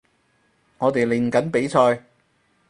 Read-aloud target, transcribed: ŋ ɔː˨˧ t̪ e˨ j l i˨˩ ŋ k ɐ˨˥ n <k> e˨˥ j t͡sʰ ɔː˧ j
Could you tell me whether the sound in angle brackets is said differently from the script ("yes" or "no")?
yes